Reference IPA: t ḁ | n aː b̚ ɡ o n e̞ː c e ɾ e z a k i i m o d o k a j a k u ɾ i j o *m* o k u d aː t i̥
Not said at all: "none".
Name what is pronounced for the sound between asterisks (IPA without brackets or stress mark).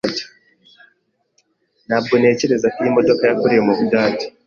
m